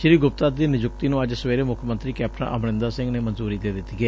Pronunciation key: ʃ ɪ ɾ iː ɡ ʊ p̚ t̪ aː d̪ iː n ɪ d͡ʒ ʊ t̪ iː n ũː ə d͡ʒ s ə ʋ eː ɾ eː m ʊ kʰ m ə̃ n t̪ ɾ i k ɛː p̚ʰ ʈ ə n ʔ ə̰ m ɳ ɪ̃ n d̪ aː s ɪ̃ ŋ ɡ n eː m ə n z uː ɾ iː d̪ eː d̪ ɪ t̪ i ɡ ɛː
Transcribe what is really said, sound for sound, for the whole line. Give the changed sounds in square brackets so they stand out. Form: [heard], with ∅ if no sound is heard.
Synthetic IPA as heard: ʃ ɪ ɾ iː ɡ ʊ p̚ t̪ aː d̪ iː n ɪ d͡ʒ ʊ t̪ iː n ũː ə d͡ʒ s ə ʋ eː ɾ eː m ʊ kʰ m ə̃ n t̪ ɾ [iː] k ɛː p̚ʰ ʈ ə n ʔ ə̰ m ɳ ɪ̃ n d̪ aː s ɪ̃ ŋ ɡ n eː m ə n z uː ɾ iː d̪ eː d̪ ɪ t̪ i ɡ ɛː